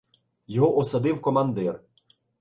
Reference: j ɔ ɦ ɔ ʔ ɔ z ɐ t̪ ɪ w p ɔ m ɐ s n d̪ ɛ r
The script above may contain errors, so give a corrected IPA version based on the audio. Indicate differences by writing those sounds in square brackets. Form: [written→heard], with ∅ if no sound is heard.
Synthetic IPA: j ɔ ɦ ɔ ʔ ɔ [z→s] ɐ [t̪→d̪] ɪ w [p→k] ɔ m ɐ [s→∅] n d̪ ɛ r